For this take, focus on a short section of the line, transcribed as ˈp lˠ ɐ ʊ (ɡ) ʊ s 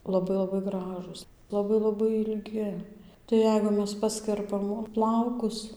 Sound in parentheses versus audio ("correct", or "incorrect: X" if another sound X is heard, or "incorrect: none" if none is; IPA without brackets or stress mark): incorrect: k